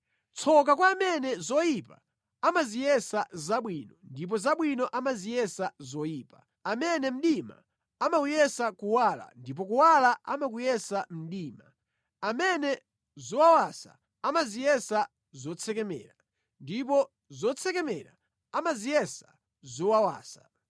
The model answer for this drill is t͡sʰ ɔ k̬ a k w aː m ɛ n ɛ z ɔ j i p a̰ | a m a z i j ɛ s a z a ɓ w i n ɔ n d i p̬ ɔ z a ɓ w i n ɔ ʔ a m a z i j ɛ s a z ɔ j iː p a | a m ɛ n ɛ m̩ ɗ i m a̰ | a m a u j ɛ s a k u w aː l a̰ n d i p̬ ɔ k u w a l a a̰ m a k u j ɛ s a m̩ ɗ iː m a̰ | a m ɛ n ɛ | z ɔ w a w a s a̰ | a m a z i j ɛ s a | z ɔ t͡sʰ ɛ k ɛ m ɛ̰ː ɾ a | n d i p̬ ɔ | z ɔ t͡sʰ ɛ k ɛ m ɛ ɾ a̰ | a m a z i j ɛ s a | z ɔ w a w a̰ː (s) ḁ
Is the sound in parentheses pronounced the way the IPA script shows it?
yes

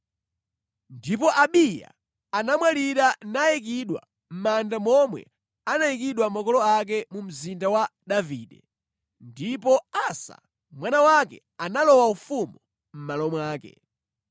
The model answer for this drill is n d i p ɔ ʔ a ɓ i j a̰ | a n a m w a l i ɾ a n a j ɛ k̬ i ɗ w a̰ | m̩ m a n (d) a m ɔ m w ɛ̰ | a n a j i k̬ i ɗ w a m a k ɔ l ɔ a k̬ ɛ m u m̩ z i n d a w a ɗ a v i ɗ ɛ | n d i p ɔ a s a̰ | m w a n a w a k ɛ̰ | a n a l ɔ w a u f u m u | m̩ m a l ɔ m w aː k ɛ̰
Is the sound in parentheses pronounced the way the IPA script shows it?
yes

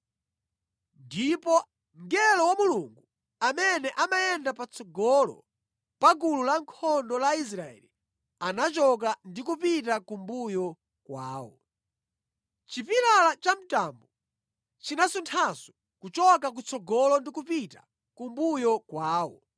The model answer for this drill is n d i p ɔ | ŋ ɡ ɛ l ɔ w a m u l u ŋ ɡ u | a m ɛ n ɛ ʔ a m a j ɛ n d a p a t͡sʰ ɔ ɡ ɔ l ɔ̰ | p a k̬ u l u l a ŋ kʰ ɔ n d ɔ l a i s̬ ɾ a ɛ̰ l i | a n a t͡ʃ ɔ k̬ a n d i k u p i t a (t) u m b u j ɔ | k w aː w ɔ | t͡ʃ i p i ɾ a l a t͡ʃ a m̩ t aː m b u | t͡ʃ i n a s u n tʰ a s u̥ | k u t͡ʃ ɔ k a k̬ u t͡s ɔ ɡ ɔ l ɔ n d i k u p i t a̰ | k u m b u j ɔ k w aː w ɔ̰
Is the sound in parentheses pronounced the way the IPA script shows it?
no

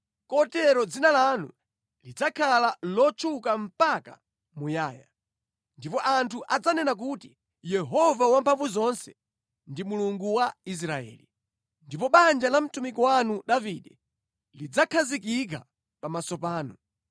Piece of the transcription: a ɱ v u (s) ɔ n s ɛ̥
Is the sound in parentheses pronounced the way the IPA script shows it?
no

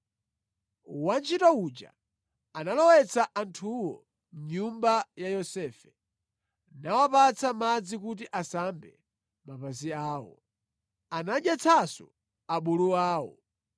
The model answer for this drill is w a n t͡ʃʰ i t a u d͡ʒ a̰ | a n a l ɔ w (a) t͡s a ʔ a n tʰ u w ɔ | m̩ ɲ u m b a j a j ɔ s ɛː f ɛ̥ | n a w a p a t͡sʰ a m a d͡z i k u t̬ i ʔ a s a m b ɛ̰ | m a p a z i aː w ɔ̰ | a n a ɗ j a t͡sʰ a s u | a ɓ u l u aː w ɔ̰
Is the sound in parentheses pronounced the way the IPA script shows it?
no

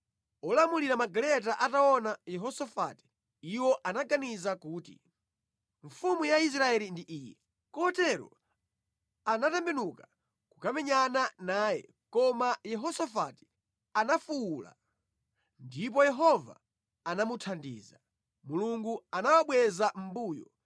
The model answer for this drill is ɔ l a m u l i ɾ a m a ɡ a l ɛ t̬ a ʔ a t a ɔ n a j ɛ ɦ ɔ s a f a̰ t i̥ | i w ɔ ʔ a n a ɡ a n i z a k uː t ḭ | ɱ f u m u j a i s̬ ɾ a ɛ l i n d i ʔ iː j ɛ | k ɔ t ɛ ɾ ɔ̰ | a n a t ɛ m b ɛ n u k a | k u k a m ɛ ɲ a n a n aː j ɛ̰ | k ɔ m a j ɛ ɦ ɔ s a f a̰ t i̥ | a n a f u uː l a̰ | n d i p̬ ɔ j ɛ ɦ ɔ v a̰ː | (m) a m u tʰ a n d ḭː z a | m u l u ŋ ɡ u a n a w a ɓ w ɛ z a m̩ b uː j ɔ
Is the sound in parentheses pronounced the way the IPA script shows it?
no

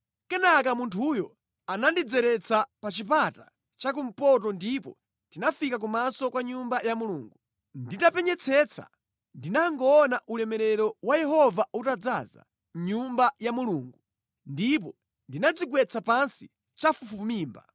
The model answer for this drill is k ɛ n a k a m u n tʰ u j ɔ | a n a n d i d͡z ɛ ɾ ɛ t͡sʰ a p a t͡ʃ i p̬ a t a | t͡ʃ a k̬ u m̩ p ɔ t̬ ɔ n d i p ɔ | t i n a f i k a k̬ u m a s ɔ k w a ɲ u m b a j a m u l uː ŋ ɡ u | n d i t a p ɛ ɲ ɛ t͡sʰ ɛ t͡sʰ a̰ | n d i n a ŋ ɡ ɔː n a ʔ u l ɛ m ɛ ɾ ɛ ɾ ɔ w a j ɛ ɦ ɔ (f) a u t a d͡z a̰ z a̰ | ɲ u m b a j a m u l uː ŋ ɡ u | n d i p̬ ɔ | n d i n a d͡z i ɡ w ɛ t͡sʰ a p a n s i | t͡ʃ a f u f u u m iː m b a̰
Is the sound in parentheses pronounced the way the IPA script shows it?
no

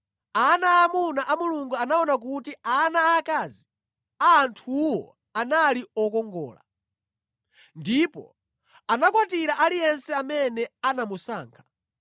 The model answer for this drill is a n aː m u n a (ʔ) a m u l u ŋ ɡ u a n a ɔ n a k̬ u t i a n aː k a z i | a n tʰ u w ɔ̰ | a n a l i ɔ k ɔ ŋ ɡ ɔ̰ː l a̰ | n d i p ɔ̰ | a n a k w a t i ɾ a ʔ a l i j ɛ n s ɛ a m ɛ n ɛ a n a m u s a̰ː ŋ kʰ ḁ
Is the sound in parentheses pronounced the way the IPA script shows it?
yes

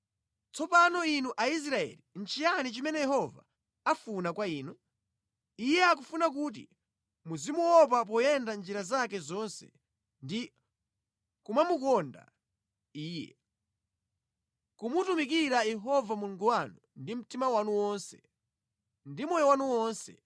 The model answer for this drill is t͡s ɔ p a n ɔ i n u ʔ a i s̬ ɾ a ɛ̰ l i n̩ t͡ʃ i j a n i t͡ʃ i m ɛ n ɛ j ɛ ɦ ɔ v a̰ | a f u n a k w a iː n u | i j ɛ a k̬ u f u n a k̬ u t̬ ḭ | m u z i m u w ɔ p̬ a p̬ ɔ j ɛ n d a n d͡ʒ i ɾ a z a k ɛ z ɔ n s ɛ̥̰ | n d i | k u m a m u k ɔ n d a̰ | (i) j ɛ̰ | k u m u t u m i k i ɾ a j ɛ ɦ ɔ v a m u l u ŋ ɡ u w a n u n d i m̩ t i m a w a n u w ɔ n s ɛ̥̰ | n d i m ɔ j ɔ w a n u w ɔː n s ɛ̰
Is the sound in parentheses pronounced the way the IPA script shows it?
no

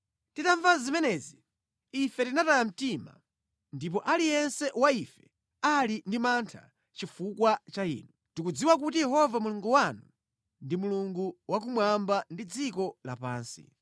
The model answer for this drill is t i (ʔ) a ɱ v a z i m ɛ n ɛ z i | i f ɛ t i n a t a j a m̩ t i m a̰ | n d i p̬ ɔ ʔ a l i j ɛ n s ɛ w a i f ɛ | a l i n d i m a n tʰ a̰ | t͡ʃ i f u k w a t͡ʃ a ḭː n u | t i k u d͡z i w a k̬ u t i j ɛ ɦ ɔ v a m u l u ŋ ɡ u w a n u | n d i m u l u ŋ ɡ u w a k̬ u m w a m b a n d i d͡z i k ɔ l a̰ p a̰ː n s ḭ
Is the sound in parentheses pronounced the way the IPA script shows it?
no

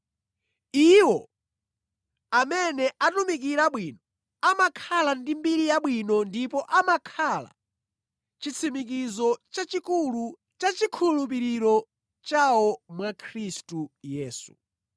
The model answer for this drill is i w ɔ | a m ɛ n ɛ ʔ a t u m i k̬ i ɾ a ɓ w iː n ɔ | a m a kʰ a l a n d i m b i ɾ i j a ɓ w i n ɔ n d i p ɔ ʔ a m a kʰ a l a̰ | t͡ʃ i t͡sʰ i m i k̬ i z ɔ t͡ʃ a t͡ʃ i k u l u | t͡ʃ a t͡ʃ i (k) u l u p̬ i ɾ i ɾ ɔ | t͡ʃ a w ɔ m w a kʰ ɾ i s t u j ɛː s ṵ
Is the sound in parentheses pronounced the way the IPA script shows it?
no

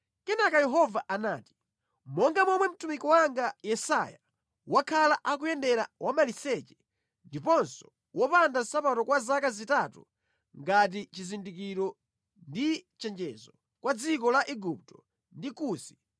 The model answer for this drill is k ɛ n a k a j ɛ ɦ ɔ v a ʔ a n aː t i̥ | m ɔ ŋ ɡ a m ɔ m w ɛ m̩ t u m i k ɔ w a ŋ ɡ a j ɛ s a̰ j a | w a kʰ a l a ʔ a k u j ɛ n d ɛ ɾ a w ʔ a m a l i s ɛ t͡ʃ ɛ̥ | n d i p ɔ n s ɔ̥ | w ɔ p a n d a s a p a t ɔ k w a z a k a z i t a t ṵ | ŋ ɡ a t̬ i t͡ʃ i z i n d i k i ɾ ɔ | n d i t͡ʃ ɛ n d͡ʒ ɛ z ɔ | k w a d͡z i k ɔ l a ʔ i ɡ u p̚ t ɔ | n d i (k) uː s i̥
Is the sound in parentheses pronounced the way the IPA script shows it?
yes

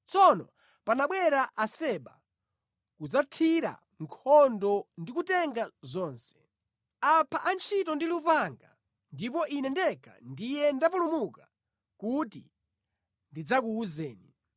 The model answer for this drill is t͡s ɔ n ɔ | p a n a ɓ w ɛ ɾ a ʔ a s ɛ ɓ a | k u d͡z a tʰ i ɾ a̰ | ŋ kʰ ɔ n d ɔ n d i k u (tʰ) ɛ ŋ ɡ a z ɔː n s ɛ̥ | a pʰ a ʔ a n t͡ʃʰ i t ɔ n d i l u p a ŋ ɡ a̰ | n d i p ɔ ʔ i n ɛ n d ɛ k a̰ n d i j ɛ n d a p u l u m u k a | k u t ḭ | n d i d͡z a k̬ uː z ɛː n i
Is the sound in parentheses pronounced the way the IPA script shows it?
no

